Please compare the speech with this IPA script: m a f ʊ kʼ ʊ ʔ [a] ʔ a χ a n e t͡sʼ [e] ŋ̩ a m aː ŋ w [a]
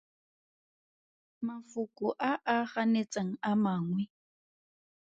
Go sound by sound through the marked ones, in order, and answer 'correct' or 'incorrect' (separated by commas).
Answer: correct, incorrect, incorrect